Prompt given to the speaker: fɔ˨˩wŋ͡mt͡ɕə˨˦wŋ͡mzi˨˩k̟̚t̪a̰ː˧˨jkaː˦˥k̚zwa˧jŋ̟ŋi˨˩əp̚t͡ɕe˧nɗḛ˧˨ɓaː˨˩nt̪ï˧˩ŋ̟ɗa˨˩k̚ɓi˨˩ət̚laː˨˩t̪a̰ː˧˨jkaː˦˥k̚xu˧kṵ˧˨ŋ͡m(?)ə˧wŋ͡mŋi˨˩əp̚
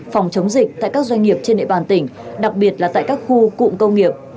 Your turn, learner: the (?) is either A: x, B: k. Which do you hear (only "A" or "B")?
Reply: B